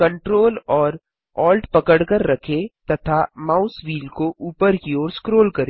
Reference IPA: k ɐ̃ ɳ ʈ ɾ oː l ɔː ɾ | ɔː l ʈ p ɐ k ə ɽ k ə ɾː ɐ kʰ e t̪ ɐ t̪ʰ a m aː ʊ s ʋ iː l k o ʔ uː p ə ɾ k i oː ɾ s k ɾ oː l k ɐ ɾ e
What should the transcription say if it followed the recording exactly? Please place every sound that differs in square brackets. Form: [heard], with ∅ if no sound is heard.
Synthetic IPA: k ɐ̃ ɳ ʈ ɾ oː l ɔː ɾ | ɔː l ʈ p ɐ k ə ɽ k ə ɾː ɐ kʰ e t̪ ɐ t̪ʰ a m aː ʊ s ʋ iː l k o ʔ uː p ə ɾ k i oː ɾ s k ɾ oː l k ɐ ɾ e